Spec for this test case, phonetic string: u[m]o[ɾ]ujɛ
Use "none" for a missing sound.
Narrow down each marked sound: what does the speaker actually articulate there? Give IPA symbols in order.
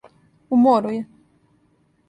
m, ɾ

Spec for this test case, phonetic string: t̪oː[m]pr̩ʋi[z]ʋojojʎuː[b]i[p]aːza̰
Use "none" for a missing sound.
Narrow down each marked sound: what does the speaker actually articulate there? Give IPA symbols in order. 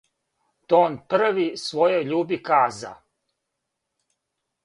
n, s, b, k

